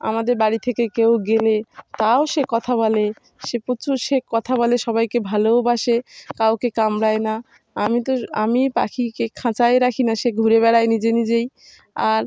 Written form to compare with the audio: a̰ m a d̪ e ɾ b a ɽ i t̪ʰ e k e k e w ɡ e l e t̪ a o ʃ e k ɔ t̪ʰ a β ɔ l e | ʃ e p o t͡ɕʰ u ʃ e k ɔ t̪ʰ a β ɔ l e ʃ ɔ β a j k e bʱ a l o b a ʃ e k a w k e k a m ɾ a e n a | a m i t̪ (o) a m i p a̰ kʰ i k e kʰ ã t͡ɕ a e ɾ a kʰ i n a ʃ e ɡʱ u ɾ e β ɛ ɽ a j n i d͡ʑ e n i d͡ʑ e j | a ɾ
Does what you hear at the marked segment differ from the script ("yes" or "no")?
no